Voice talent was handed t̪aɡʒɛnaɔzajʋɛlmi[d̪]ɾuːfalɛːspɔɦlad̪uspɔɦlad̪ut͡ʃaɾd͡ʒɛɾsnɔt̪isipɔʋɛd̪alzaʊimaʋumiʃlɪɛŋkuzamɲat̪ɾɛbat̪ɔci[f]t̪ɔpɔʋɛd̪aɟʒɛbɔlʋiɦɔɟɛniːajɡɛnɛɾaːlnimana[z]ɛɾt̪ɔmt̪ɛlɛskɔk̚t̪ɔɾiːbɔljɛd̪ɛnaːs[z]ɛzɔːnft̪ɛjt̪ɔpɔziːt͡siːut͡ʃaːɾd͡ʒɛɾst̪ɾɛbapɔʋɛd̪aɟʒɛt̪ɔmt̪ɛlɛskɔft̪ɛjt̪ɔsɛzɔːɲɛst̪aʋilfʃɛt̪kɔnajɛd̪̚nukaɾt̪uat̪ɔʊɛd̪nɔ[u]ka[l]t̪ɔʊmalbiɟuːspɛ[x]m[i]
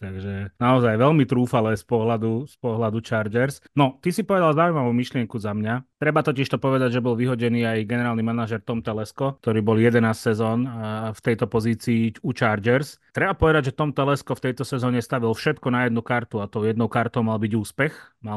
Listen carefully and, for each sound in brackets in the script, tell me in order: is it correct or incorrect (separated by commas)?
incorrect, incorrect, incorrect, incorrect, incorrect, incorrect, correct, incorrect